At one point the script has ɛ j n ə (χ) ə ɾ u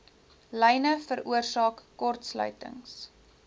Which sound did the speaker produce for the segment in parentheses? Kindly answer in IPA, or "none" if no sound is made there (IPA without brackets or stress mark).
f